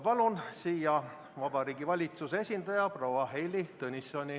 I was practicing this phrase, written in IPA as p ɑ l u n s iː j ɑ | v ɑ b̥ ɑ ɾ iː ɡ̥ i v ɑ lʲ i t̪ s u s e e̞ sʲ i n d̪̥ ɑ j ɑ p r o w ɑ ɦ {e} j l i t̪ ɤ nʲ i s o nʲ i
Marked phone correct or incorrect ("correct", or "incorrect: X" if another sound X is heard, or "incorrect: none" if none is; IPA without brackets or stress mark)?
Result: correct